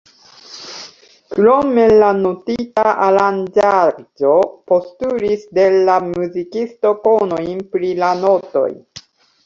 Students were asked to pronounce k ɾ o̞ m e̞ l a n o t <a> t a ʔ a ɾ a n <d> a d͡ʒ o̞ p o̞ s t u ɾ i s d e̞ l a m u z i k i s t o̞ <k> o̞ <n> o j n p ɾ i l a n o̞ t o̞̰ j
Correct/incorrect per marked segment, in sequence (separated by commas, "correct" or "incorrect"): incorrect, incorrect, correct, correct